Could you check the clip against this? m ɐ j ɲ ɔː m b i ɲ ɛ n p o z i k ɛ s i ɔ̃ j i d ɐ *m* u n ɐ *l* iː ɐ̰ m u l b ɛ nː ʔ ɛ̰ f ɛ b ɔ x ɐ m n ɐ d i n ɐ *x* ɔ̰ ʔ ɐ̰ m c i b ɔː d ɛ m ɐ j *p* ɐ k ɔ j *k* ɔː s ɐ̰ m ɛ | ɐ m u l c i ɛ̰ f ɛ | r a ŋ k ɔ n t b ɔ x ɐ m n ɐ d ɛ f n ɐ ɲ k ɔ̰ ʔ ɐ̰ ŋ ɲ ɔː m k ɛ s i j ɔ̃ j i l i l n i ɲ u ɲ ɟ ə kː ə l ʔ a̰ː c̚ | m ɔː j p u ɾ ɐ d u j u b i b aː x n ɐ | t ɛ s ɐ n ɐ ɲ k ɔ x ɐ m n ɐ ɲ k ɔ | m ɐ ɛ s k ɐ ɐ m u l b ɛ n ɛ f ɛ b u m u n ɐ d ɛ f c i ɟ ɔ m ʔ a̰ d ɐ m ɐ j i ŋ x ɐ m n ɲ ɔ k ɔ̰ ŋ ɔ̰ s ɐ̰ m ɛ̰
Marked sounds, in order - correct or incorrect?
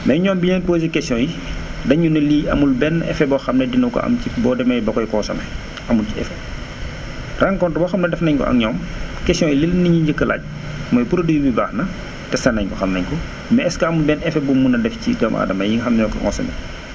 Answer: incorrect, correct, incorrect, incorrect, correct

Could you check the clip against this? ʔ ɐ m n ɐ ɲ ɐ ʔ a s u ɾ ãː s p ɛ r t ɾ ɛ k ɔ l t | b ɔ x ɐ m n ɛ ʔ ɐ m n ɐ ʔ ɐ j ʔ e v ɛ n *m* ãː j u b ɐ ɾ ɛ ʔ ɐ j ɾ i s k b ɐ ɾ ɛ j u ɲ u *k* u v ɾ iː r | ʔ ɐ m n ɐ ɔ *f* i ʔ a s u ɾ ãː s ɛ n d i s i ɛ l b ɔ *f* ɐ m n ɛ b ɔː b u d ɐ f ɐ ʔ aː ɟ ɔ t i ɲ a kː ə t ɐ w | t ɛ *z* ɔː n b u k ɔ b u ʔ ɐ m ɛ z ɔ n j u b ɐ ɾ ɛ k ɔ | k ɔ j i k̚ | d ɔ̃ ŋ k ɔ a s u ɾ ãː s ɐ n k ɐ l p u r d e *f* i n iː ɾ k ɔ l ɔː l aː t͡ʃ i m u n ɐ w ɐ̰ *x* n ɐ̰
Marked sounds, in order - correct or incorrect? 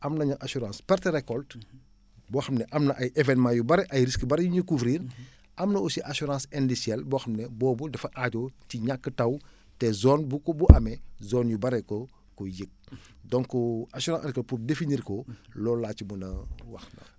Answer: correct, correct, incorrect, incorrect, correct, correct, correct

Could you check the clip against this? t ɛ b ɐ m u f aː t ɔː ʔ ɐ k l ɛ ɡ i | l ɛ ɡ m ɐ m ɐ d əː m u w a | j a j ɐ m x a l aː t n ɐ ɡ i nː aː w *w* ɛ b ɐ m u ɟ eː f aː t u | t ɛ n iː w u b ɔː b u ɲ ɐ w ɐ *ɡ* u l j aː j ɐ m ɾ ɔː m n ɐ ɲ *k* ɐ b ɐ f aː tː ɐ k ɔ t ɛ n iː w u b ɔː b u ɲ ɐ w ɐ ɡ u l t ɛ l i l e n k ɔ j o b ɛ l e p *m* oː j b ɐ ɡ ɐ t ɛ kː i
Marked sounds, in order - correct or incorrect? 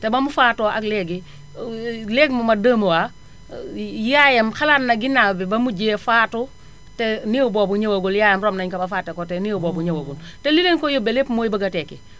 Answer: incorrect, correct, correct, correct

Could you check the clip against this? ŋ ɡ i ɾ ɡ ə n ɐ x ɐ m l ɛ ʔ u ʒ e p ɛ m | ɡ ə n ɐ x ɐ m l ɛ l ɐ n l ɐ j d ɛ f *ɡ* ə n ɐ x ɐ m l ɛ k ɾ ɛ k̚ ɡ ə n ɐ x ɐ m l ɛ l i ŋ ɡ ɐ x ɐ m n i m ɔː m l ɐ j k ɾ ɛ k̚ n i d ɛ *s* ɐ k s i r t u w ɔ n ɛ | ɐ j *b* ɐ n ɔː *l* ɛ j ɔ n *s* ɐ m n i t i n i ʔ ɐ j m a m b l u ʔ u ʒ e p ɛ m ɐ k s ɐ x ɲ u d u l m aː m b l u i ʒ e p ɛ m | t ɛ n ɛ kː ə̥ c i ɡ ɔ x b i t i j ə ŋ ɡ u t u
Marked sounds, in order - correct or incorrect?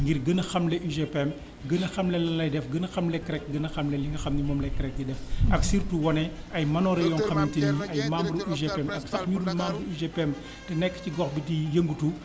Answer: correct, incorrect, incorrect, incorrect, incorrect

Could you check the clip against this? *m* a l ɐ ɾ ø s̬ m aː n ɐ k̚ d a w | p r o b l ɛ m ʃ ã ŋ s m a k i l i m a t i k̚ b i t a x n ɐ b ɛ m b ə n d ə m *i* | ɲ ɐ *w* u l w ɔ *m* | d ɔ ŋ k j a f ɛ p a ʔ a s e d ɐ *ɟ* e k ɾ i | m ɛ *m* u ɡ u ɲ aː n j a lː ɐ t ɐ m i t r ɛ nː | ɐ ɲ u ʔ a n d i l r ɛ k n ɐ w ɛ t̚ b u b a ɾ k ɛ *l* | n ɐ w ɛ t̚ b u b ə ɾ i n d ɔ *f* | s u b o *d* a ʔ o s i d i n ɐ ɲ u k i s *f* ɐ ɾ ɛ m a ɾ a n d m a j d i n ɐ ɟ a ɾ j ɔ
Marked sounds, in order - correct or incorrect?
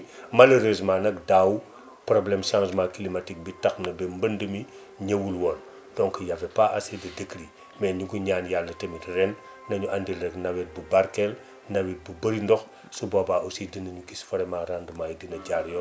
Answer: correct, correct, correct, incorrect, incorrect, incorrect, correct, incorrect, incorrect, correct

